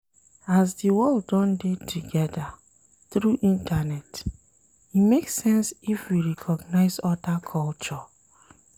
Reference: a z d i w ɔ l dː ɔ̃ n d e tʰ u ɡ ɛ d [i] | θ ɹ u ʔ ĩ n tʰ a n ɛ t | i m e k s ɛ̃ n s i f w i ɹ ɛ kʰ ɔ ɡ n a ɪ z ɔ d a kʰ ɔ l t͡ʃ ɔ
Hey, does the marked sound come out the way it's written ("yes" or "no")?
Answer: no